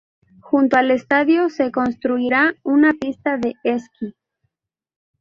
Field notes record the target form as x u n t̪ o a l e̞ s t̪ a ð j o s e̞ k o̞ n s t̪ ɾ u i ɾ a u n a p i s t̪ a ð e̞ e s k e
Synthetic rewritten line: x u n t̪ o a l e̞ s t̪ a ð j o s e̞ k o̞ n s t̪ ɾ u i ɾ a u n a p i s t̪ a ð e̞ e s k i